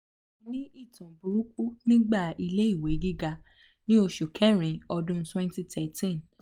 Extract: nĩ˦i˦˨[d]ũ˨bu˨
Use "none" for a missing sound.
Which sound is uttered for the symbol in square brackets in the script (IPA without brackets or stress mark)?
t